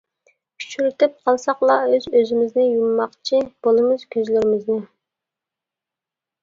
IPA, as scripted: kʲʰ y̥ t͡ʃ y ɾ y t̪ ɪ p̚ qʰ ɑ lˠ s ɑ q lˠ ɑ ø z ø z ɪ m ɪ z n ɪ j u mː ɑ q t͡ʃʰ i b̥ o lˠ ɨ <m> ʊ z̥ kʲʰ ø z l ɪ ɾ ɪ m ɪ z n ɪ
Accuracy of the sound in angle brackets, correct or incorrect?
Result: correct